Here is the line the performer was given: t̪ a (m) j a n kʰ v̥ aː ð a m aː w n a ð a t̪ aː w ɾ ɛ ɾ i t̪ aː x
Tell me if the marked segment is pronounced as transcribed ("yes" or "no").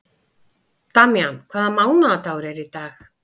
yes